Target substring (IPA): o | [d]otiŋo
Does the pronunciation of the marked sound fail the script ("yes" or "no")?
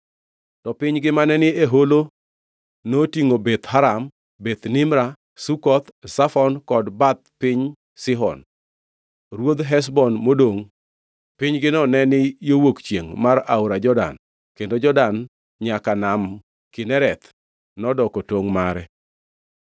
yes